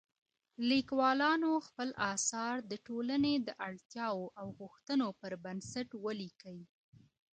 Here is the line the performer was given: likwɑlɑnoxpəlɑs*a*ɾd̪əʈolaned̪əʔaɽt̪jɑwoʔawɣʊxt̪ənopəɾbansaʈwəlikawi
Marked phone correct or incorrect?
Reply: incorrect